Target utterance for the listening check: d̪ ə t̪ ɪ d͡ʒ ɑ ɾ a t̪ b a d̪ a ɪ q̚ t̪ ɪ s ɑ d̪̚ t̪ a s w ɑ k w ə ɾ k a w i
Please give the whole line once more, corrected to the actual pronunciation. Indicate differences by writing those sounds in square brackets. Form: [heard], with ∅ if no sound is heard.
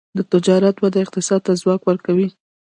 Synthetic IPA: d̪ ə t̪ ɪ d͡ʒ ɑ ɾ a t̪ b a d̪ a ɪ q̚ t̪ ɪ s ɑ d̪̚ t̪ a [z] w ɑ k w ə ɾ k a w i

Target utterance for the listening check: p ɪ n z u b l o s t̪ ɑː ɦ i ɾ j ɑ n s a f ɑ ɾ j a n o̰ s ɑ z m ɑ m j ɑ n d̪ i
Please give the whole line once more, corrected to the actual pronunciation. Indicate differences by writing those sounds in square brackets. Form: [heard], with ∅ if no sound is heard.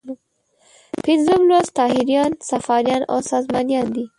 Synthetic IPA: p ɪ n z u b l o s t̪ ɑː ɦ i ɾ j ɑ n s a f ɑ ɾ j [ɑ] n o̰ s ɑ z m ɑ [n] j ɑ n d̪ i

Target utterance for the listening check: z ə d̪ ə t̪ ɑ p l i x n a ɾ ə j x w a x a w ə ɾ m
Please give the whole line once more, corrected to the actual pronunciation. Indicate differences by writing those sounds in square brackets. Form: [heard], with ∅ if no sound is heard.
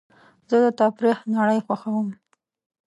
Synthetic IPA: z ə d̪ ə t̪ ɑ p [ɾ] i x n a [ɽ] ə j x w a x a w ə [∅] m

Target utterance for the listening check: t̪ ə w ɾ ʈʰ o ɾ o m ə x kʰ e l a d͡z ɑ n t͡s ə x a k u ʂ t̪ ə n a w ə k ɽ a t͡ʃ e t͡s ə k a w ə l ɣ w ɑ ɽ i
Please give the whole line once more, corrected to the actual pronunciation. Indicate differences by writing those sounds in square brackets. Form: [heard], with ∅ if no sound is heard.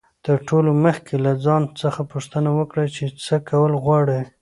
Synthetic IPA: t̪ ə [∅] ɾ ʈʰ o [l] o m ə x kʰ e l a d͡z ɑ n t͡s ə x a [p] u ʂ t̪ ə n a w ə k ɽ a t͡ʃ e t͡s ə k a w ə l ɣ w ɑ ɽ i

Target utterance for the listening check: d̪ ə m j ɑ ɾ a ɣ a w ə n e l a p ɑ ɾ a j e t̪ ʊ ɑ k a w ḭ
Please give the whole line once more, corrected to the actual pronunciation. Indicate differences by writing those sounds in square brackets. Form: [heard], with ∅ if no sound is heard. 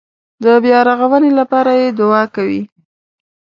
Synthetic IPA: d̪ ə [b] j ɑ ɾ a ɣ a w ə n e l a p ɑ ɾ a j e [d̪] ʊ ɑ k a w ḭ

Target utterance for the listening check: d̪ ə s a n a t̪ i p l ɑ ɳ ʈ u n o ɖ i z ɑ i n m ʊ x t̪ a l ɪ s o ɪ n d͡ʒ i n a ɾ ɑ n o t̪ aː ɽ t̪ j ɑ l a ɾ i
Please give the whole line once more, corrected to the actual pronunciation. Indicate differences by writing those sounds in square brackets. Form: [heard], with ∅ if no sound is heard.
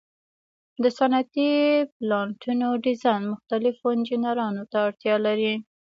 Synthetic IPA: d̪ ə s a n a t̪ i p l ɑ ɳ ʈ u n o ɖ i z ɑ [j] n m ʊ x t̪ a l ɪ [f] o ɪ n d͡ʒ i n a ɾ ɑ n o t̪ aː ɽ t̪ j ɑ l a ɾ i

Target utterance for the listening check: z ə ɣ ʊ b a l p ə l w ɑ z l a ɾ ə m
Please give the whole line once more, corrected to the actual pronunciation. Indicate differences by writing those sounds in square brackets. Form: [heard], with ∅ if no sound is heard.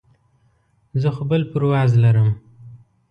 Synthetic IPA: z ə [x] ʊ b [ə] l p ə [ɾ] w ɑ z l a ɾ ə m

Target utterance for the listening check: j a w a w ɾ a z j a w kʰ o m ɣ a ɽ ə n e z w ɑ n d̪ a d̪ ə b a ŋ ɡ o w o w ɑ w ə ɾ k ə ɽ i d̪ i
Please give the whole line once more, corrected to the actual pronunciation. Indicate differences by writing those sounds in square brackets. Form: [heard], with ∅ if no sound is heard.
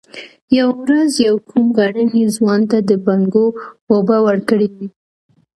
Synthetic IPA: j a w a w ɾ a z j a w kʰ [u] m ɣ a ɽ ə n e z w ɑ n [t̪] a d̪ ə b a ŋ ɡ o w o [b] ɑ w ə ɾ k ə ɽ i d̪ i

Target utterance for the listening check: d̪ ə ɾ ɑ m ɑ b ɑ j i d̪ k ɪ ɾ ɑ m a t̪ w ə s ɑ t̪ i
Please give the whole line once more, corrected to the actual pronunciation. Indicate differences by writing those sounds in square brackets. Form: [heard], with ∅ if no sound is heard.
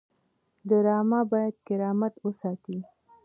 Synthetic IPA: d̪ ə ɾ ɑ m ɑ b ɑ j [a] d̪ k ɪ ɾ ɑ m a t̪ w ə s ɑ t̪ i

